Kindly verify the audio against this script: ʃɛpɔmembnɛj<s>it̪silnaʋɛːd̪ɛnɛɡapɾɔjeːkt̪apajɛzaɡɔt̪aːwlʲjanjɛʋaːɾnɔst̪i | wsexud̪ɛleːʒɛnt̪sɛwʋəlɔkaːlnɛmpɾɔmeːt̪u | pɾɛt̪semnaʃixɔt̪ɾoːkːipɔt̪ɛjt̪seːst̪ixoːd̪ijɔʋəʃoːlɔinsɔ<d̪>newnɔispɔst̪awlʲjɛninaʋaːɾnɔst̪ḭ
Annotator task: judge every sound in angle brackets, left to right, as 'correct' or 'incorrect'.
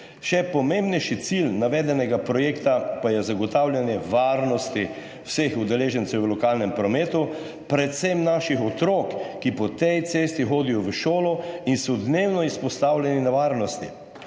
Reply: incorrect, correct

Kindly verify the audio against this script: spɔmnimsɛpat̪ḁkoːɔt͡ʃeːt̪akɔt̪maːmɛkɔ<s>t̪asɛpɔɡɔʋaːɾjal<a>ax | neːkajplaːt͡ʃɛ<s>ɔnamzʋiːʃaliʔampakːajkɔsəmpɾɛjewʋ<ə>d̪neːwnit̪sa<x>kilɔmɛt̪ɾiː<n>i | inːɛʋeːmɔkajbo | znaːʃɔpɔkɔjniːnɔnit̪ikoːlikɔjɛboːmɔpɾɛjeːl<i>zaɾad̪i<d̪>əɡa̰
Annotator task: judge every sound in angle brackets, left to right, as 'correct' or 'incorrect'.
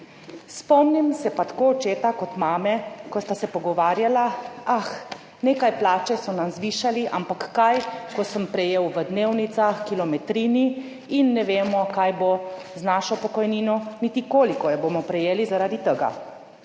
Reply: correct, correct, correct, correct, correct, correct, correct, incorrect

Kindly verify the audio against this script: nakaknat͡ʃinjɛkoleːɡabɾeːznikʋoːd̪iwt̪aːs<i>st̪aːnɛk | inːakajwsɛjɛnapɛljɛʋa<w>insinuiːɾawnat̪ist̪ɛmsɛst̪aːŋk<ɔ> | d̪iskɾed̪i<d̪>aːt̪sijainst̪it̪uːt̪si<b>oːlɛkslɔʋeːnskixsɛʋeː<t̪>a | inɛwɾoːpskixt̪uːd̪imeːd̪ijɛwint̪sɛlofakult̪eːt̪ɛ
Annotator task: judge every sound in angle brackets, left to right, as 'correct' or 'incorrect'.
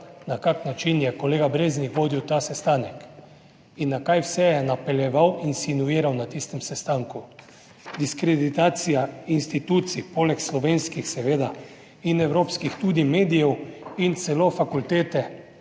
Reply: incorrect, correct, incorrect, incorrect, incorrect, incorrect

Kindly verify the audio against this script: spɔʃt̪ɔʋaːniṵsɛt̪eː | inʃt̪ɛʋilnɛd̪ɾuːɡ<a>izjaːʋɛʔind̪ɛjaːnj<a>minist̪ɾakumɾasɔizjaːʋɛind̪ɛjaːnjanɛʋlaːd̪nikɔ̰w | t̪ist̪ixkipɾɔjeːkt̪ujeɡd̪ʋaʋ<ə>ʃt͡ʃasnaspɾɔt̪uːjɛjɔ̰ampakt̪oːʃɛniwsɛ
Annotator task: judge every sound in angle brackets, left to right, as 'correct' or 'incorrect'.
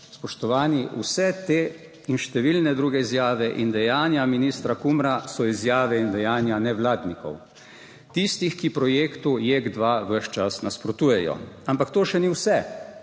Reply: incorrect, correct, correct

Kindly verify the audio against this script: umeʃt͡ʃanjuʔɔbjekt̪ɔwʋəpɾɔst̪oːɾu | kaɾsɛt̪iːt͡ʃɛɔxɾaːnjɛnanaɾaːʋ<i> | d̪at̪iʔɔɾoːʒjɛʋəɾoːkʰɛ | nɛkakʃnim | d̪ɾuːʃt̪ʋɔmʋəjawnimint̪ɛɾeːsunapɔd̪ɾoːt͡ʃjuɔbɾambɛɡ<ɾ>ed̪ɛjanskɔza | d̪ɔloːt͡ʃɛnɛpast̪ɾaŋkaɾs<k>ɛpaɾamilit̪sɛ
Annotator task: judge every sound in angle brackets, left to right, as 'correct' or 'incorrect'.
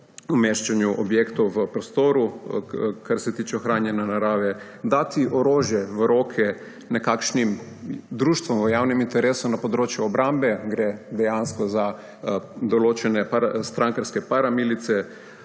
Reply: incorrect, correct, correct

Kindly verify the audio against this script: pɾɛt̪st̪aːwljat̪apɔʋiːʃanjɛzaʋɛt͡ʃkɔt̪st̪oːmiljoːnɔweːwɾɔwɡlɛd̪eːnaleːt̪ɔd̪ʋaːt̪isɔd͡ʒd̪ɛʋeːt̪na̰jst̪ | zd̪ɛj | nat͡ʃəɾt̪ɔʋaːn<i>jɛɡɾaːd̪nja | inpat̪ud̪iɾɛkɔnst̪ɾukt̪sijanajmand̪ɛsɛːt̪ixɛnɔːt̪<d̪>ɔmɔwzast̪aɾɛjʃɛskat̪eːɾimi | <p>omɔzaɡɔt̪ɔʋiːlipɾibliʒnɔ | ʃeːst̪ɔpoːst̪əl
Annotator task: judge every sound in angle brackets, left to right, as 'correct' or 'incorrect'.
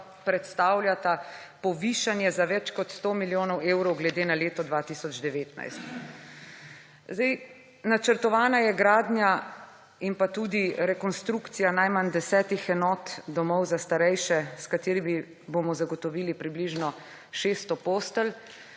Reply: incorrect, correct, incorrect

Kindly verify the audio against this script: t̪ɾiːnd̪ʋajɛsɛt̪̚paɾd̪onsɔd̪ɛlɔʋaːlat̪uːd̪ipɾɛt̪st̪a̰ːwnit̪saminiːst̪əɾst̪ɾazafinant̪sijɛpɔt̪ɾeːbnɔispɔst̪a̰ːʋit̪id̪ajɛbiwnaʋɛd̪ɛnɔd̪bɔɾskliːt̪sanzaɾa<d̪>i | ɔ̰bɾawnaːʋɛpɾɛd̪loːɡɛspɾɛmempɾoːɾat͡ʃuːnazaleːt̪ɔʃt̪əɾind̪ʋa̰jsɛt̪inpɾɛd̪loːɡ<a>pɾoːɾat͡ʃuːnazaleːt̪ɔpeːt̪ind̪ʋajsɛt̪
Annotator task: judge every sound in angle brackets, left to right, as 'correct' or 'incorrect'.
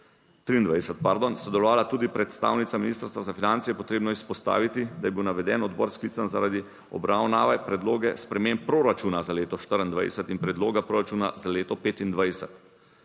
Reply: correct, correct

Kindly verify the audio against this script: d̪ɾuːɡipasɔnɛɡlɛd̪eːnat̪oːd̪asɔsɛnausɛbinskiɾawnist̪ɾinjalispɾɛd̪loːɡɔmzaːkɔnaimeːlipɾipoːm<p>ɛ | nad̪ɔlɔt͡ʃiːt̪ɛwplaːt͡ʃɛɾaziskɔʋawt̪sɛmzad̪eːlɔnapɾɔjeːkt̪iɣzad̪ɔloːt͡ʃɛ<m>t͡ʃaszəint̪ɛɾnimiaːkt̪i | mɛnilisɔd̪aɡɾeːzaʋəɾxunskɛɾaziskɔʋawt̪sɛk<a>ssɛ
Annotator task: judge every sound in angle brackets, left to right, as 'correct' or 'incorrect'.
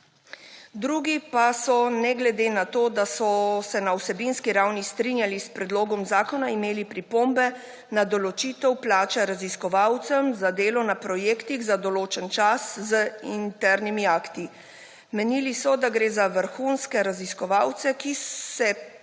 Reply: incorrect, incorrect, incorrect

